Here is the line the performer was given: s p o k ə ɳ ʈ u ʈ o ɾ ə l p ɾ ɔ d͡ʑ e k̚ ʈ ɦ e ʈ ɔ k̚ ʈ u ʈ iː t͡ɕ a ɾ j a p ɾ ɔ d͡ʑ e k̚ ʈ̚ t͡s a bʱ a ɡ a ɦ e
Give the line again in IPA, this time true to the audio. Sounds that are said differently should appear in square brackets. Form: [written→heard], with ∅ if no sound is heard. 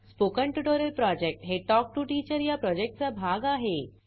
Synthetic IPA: s p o k ə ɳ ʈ u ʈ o ɾ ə l p ɾ ɔ d͡ʑ e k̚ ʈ ɦ e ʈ ɔ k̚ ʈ u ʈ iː t͡ɕ [a→ə] ɾ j a p ɾ ɔ d͡ʑ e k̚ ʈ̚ t͡s a bʱ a ɡ a ɦ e